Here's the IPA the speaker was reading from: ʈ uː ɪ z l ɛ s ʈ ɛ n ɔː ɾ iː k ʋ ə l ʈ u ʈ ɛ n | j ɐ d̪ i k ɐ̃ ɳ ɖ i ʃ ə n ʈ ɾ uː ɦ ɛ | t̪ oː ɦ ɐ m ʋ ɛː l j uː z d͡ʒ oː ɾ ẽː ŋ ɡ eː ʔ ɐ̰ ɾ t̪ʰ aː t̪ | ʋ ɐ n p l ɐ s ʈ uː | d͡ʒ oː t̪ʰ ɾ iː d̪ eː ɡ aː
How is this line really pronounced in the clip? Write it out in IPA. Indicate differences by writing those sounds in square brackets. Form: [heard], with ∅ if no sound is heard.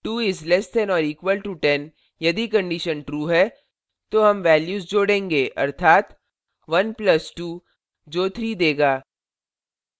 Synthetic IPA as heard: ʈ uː ɪ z l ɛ s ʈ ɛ n ɔː ɾ iː k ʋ ə l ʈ u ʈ ɛ n | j ɐ d̪ i k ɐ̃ ɳ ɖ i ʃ ə n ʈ ɾ uː ɦ ɛ | t̪ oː ɦ ɐ m ʋ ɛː l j uː z d͡ʒ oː [ɽ] ẽː ŋ ɡ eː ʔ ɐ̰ ɾ t̪ʰ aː t̪ | ʋ ɐ n p l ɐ s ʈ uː | d͡ʒ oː t̪ʰ ɾ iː d̪ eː ɡ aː